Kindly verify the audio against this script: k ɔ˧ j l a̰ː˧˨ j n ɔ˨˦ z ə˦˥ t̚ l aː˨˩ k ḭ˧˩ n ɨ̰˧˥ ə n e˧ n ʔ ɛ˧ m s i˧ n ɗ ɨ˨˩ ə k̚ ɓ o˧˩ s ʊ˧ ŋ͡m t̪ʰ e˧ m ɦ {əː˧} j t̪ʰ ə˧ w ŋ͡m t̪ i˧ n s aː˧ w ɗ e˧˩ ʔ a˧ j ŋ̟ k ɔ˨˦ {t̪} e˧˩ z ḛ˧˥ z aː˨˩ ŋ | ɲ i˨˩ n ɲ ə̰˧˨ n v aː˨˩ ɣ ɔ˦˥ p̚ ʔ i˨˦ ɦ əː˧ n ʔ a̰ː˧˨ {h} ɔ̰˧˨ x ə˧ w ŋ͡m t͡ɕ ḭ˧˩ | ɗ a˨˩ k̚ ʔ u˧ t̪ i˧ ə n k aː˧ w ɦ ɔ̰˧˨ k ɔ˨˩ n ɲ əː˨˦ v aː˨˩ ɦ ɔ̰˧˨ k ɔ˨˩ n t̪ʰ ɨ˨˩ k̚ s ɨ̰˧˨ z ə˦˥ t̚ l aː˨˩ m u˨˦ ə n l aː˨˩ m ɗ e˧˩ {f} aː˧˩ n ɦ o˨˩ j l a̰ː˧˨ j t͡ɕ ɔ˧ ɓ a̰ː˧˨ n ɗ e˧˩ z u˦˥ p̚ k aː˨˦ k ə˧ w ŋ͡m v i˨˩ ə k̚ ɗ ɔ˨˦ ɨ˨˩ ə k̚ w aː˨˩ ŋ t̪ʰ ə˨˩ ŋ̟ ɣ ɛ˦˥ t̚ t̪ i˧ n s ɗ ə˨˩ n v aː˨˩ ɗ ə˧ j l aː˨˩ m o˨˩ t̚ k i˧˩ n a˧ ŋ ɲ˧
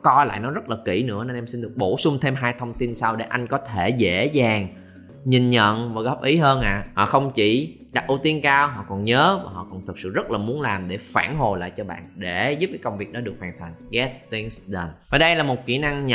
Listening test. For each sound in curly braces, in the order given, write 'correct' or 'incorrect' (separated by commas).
incorrect, incorrect, correct, correct